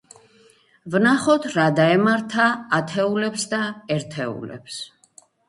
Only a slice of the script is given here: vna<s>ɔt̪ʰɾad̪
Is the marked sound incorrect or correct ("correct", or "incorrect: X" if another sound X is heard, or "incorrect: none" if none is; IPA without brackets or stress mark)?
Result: incorrect: χ